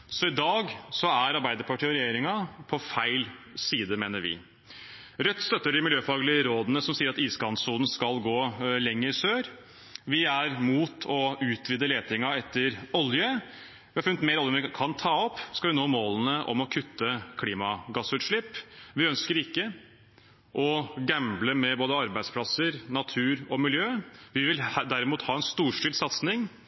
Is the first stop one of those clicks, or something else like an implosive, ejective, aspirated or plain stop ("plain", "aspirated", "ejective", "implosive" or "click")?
plain